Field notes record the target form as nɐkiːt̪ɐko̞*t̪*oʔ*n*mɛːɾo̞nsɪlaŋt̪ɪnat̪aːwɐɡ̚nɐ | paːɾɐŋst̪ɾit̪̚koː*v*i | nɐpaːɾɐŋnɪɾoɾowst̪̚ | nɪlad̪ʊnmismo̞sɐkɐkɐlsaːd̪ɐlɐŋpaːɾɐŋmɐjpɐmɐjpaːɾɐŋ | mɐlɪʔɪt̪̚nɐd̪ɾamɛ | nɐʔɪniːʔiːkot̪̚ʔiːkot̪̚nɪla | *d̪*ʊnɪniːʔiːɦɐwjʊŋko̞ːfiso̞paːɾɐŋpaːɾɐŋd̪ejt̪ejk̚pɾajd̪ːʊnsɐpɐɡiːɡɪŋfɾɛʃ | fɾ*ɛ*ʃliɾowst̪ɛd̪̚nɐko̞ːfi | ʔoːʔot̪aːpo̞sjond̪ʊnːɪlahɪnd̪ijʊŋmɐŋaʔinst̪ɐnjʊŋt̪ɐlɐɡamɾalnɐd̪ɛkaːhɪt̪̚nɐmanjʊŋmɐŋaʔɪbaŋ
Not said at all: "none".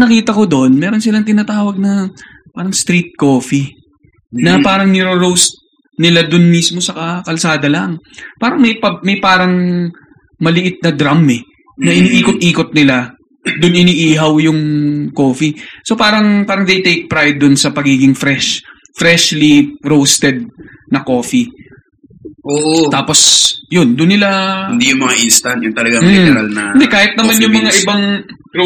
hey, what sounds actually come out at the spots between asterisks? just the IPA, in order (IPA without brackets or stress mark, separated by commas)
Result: d̪, n, f, d̪, ɛ